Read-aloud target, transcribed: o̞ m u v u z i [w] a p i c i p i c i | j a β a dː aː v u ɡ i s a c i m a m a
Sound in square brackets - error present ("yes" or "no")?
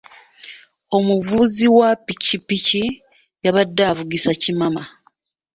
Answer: no